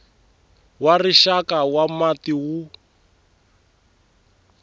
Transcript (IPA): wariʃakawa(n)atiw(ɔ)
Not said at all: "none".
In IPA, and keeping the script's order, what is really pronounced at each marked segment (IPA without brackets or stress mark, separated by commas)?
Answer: m, u